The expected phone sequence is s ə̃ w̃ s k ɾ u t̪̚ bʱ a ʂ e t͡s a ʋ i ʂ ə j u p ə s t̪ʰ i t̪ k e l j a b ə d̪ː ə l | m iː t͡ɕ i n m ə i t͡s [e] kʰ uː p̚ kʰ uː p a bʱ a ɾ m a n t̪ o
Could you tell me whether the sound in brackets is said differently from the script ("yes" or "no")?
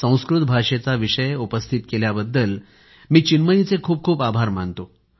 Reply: no